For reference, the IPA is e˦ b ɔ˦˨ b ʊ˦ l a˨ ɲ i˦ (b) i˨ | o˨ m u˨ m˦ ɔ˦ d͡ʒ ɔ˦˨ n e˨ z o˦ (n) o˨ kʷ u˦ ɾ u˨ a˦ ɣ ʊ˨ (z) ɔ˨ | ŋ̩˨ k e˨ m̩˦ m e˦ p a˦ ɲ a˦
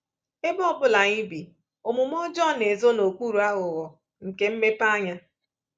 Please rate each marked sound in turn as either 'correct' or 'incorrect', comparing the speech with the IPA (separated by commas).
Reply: correct, correct, incorrect